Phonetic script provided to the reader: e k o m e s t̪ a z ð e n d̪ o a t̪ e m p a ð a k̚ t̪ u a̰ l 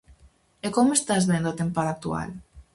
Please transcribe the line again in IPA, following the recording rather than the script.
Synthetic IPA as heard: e k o m e s t̪ a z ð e n d̪ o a t̪ e m p a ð a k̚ t̪ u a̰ l